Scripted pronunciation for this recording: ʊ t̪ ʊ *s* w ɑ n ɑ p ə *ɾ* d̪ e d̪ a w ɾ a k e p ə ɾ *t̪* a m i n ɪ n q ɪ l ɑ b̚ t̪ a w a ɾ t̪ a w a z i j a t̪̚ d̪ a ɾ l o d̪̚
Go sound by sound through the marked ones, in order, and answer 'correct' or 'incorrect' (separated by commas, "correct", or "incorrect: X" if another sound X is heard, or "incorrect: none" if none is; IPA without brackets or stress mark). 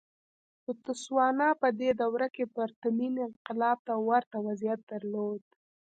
correct, incorrect: none, correct